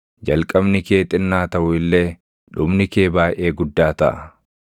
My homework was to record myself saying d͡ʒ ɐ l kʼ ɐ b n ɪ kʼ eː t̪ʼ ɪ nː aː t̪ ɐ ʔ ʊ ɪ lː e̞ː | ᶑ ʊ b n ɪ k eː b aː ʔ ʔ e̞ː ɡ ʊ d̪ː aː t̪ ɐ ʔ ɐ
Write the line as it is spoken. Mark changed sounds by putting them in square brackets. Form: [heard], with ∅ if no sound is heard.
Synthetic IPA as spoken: d͡ʒ ɐ l kʼ ɐ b n ɪ [k] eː t̪ʼ ɪ nː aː t̪ ɐ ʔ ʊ ɪ lː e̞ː | ᶑ ʊ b n ɪ k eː b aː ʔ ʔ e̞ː ɡ ʊ d̪ː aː t̪ ɐ ʔ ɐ